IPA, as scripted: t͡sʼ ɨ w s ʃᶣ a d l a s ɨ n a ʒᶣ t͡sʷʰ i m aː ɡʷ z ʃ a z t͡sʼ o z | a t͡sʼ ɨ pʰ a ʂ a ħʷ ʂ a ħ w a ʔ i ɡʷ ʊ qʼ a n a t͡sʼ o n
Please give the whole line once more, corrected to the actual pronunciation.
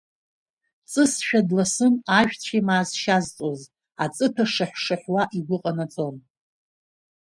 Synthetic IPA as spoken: t͡sʼ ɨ s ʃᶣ a d l a s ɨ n a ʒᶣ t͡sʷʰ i m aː z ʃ a z t͡sʼ o z | a t͡sʼ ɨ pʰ a ʂ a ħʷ ʂ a ħ w a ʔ i ɡʷ ʊ qʼ a n a t͡sʼ o n